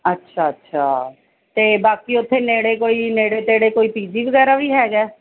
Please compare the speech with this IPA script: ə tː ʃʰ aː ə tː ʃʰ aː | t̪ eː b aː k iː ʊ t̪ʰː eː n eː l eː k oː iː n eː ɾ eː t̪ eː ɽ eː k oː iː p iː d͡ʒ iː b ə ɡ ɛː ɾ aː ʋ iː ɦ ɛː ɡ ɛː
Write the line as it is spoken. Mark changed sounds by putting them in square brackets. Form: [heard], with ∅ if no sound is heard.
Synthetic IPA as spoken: ə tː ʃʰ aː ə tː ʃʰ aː | t̪ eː b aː k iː ʊ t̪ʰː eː n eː [ɽ] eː k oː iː n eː [ɽ] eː t̪ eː ɽ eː k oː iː p iː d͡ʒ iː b ə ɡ ɛː ɾ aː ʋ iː ɦ ɛː ɡ ɛː